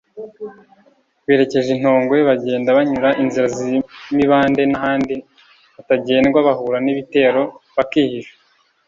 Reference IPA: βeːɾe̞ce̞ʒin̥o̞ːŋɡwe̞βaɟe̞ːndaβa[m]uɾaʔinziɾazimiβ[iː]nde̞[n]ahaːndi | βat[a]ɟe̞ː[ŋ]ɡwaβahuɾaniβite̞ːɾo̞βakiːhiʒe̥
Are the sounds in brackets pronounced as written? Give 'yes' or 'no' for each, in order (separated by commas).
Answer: no, no, yes, yes, no